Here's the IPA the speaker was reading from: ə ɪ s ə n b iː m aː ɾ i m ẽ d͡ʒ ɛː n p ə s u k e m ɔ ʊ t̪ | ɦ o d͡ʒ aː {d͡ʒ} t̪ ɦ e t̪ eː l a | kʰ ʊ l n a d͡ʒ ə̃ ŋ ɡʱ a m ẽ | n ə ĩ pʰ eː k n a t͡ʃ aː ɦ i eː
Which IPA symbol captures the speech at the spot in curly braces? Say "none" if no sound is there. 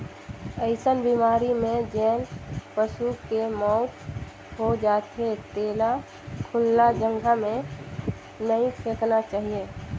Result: none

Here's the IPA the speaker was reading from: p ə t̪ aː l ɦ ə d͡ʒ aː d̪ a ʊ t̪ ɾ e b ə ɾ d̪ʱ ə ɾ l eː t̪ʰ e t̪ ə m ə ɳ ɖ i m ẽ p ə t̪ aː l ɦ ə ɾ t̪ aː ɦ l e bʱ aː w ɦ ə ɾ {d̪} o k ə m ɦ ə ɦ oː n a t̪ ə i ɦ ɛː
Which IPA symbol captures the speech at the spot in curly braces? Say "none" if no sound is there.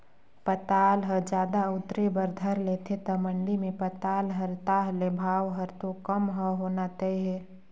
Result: t̪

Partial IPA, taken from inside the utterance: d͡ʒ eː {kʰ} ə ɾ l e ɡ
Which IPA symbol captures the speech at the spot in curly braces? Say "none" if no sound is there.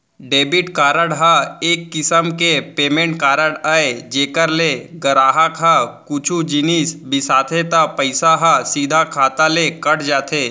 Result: k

